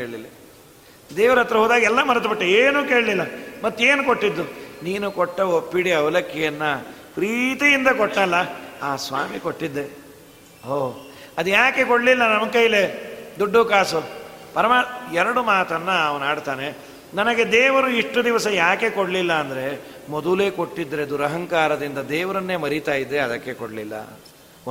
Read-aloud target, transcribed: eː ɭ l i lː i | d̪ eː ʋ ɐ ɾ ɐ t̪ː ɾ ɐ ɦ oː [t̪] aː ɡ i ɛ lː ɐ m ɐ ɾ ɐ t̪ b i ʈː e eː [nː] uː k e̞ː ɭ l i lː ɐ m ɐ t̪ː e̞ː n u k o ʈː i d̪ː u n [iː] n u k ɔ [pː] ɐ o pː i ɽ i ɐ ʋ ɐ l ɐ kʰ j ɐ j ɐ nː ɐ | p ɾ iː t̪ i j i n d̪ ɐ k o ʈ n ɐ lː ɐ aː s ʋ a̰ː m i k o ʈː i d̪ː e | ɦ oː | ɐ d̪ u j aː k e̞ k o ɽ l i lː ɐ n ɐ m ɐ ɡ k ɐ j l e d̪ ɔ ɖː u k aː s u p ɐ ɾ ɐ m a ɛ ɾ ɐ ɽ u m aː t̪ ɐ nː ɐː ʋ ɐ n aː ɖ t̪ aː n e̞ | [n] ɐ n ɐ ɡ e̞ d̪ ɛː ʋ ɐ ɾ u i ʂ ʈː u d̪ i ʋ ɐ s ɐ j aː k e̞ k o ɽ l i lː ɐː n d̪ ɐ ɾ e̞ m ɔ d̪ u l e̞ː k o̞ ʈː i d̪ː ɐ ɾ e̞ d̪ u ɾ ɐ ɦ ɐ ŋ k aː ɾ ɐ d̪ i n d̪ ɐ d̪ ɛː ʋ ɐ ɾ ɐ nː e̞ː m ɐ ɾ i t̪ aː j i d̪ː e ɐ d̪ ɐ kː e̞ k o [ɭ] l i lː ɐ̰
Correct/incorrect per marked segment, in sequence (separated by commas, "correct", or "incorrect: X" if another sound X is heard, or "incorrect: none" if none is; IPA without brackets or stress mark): incorrect: d̪, incorrect: n, correct, incorrect: ʈː, correct, incorrect: ɽ